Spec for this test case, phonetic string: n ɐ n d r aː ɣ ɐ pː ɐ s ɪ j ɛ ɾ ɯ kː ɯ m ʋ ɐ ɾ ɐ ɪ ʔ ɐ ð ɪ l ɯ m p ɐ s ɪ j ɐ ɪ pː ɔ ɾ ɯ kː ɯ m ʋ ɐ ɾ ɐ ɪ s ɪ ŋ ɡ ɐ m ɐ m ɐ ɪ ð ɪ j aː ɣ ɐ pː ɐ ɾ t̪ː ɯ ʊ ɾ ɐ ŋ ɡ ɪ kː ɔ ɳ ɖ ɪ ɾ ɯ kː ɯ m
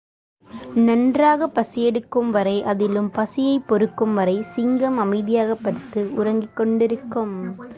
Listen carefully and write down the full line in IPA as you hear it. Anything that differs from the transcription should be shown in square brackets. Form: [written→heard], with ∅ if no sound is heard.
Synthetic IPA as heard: n ɐ n d r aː ɣ ɐ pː ɐ s ɪ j ɛ [ɾ→ɽ] ɯ kː ɯ m ʋ ɐ ɾ ɐ ɪ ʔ ɐ ð ɪ l ɯ m p ɐ s ɪ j ɐ ɪ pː ɔ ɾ ɯ kː ɯ m ʋ ɐ ɾ ɐ ɪ s ɪ ŋ ɡ ɐ m ɐ m ɐ ɪ ð ɪ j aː ɣ ɐ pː ɐ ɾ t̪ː ɯ ʊ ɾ ɐ ŋ ɡ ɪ kː ɔ ɳ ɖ ɪ ɾ ɯ kː ɯ m

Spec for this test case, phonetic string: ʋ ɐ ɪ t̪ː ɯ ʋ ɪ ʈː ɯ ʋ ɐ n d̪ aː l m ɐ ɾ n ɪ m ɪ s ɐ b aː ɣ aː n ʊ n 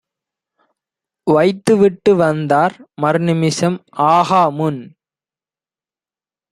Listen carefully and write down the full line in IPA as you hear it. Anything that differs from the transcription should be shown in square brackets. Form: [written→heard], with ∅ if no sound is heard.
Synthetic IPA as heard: ʋ ɐ ɪ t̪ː ɯ ʋ ɪ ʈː ɯ ʋ ɐ n d̪ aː [l→ɾ] m ɐ ɾ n ɪ m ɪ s ɐ [b→m] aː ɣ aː [n→m] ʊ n

